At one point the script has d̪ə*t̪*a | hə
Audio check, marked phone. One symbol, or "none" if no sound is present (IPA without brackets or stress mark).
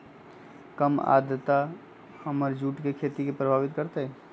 t̪